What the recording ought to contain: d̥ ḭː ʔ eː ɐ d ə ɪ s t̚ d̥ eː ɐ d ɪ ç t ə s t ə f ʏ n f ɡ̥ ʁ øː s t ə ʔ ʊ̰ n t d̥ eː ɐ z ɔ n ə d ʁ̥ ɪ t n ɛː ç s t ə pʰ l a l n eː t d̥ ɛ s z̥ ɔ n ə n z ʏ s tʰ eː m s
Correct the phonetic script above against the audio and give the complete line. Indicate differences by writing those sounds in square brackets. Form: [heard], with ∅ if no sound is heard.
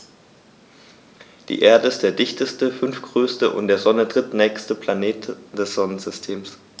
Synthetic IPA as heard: d̥ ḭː ʔ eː ɐ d ə ɪ s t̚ d̥ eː ɐ d ɪ ç t ə s t ə f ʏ n f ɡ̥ ʁ øː s t ə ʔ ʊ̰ n t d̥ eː ɐ z ɔ n ə d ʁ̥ ɪ t n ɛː ç s t ə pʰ l a [∅] n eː t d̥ ɛ s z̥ ɔ n ə n z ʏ s tʰ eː m s